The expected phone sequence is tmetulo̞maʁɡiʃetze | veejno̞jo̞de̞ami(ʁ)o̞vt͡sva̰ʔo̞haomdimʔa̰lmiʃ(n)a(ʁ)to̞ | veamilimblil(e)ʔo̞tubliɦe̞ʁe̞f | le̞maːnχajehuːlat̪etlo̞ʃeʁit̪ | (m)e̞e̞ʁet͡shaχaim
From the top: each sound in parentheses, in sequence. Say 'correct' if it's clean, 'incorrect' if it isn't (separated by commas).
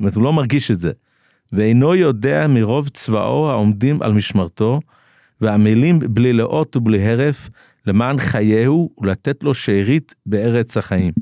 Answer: correct, incorrect, correct, correct, incorrect